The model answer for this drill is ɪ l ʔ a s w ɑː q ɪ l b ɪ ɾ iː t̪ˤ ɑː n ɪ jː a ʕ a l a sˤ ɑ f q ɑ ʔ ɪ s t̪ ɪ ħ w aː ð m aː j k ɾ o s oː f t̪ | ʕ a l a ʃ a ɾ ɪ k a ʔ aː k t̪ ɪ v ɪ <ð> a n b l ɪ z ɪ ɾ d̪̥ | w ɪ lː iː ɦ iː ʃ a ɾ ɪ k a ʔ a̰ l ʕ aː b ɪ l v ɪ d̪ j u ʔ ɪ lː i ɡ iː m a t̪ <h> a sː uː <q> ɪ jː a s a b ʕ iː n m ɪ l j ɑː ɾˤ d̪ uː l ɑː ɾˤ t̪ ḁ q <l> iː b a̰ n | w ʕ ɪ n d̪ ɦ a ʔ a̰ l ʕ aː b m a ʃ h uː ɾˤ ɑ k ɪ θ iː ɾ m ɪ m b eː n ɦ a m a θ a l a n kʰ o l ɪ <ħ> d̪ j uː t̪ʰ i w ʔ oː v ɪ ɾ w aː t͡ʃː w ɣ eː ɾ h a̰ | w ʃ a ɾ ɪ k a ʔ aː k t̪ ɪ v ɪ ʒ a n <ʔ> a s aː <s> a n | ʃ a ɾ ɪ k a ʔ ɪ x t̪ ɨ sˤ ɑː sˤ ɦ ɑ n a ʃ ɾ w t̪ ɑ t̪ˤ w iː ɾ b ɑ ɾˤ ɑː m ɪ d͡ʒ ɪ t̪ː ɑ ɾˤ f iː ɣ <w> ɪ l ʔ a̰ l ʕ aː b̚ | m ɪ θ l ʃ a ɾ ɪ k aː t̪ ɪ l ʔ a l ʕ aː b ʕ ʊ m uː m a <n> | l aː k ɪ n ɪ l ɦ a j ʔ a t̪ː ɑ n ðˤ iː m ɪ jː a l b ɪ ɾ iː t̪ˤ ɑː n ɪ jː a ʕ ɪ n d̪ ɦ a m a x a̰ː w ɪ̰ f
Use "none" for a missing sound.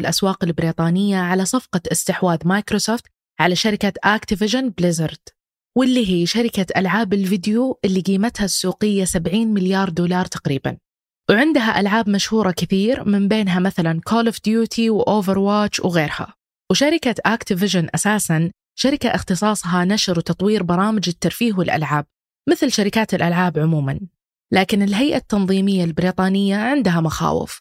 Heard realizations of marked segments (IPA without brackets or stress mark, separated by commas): ʒ, h, q, ɾ, f, ʔ, s, w, n